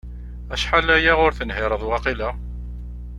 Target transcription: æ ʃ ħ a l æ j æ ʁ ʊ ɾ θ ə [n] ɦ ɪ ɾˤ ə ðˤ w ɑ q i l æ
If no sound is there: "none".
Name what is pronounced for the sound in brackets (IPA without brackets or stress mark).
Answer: n